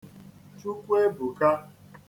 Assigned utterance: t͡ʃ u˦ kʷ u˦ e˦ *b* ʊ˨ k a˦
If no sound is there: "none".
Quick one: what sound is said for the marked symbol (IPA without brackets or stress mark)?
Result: b